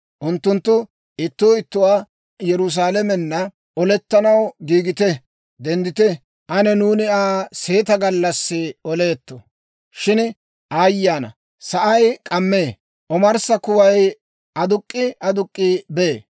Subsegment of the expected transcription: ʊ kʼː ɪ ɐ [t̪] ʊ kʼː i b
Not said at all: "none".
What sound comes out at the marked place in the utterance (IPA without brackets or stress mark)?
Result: d̪